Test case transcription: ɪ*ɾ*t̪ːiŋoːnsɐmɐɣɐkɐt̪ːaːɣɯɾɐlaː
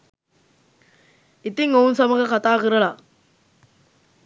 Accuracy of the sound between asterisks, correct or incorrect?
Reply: incorrect